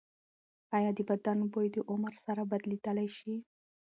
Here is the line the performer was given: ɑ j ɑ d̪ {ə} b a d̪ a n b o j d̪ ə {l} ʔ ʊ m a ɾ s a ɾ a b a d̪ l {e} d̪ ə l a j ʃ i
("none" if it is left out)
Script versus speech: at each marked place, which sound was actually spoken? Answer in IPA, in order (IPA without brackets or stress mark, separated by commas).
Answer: ə, none, i